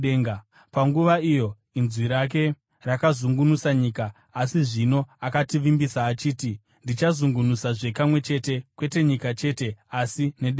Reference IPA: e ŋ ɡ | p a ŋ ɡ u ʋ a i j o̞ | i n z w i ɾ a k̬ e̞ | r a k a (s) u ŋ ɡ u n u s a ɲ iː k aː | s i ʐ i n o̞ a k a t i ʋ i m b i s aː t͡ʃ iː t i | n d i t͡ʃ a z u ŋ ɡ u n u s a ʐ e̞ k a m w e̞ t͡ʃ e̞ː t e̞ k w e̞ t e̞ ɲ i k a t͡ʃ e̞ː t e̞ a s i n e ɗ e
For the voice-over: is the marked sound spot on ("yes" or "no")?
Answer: no